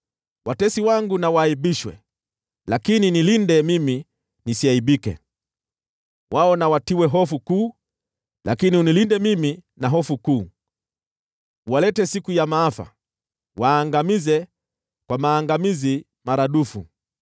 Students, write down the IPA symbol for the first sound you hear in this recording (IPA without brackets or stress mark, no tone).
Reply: w